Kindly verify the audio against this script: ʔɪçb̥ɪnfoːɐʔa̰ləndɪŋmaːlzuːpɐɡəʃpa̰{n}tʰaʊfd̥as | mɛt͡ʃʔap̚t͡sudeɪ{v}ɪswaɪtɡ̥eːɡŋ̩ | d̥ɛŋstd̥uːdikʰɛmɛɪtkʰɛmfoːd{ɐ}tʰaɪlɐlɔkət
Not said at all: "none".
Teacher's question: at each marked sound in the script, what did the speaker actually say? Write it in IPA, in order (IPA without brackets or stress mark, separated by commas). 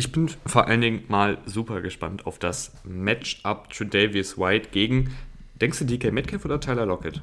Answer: n, v, ɐ